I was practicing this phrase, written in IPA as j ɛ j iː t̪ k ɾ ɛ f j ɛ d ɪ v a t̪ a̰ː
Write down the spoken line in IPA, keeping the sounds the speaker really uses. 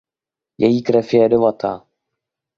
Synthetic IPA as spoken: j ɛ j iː k ɾ ɛ f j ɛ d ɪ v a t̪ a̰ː